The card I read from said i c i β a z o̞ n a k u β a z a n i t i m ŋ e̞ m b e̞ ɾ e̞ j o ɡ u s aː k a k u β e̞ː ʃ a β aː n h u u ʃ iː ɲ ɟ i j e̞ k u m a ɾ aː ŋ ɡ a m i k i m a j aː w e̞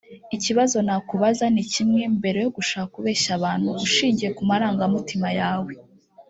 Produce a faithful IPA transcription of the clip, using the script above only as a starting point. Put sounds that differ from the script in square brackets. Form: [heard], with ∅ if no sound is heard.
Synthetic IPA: i c i β a z o̞ n a k u β a z a n i [c] i m ŋ e̞ m b e̞ ɾ e̞ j o ɡ u [ʃ] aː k a k u β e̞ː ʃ a β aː n h u u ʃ iː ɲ ɟ i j e̞ k u m a ɾ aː ŋ ɡ a m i [t] i m a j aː w e̞